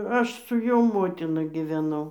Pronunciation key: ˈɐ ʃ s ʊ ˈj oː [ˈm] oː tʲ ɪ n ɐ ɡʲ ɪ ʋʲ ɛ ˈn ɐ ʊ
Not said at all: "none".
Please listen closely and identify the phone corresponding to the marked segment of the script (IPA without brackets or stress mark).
m